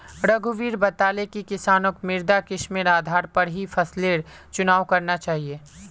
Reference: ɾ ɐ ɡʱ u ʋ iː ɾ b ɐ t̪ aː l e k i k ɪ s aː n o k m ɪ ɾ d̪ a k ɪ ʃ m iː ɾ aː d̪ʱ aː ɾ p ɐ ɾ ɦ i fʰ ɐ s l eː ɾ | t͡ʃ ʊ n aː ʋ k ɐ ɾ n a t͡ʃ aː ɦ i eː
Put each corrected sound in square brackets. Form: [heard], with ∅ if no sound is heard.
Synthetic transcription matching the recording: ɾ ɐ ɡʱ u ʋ iː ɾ b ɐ t̪ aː l e k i k ɪ s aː n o k m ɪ ɾ d̪ a k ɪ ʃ m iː ɾ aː d̪ʱ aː ɾ p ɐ ɾ ɦ i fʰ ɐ s l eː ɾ | t͡ʃ ʊ n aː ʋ k ɐ ɾ n a t͡ʃ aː ɦ i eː